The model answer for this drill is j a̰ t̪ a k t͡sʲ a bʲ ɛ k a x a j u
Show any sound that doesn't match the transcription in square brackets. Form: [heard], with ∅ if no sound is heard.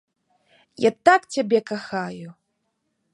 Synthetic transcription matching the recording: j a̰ t̪ a k t͡sʲ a bʲ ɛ k a x a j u